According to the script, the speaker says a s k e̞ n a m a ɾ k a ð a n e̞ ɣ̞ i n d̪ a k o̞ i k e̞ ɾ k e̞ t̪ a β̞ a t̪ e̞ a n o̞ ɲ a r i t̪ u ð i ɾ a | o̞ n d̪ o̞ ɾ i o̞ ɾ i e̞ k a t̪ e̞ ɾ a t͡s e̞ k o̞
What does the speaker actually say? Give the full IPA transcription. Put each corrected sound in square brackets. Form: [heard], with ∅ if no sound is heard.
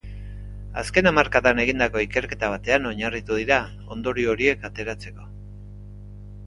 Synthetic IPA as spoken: a s k e̞ n a m a ɾ k a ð a n e̞ ɣ̞ i n d̪ a k o̞ i k e̞ ɾ k e̞ t̪ a β̞ a t̪ e̞ a n o̞ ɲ a r i t̪ u ð i ɾ a | o̞ n d̪ o̞ ɾ i o̞ ɾ i e̞ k a t̪ e̞ ɾ a t͡s e̞ k o̞